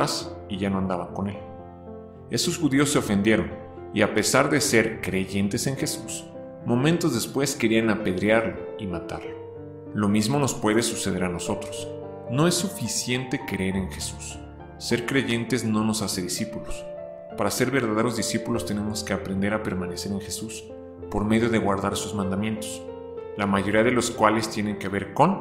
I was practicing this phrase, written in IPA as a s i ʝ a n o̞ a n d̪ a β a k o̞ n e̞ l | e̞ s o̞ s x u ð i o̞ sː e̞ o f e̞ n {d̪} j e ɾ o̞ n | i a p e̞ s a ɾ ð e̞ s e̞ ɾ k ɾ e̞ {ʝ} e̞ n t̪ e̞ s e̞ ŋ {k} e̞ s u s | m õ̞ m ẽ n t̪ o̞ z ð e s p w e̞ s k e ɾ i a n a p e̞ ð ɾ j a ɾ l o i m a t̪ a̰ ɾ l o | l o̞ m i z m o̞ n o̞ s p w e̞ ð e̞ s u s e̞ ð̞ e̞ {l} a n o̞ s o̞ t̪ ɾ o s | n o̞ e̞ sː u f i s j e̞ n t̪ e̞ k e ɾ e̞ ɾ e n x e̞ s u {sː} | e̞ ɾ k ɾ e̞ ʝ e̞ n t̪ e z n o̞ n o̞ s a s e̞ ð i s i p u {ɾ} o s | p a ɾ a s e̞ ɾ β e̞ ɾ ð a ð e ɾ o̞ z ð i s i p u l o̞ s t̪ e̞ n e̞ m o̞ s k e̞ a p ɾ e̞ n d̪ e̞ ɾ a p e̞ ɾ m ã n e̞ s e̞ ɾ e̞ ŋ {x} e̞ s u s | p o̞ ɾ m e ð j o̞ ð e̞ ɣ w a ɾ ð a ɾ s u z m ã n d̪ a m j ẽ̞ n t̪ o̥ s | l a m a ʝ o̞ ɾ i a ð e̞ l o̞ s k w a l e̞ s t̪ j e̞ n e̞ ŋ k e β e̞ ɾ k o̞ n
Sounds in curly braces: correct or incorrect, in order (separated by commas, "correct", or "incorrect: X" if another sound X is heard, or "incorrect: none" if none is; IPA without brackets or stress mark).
correct, correct, incorrect: x, incorrect: ɾ, correct, incorrect: l, correct